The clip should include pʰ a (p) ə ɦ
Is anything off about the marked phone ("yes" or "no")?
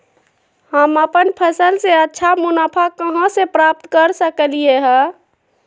yes